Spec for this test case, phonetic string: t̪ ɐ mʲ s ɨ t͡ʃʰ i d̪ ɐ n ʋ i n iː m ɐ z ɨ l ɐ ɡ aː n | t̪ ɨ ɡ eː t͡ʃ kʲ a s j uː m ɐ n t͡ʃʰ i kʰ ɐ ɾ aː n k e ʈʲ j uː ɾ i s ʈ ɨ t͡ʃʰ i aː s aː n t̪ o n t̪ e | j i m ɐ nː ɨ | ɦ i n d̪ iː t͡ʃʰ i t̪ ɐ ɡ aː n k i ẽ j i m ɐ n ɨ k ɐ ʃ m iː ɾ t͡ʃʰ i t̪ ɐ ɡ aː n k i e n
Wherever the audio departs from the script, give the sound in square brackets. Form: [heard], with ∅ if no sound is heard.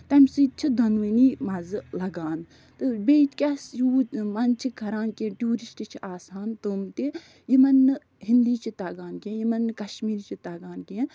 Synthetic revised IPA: t̪ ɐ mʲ s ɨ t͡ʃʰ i d̪ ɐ n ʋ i n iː m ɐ z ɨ l ɐ ɡ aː n | t̪ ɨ [b] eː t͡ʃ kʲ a s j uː m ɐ n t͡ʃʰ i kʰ ɐ ɾ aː n k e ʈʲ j uː ɾ i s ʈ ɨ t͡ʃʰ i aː s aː n t̪ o [m] t̪ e | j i m ɐ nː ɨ | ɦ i n d̪ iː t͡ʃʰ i t̪ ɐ ɡ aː n k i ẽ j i m ɐ n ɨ k ɐ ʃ m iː ɾ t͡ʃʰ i t̪ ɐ ɡ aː n k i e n